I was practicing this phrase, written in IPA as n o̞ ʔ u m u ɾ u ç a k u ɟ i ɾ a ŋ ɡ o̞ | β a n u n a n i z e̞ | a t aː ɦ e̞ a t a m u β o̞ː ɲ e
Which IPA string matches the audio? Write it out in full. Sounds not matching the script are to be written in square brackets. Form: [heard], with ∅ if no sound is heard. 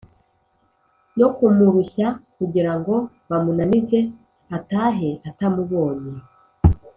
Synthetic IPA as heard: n o̞ [k] u m u ɾ u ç a k u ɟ i ɾ a ŋ ɡ o̞ | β a [m] u n a n i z e̞ | a t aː ɦ e̞ a t a m u β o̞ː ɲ e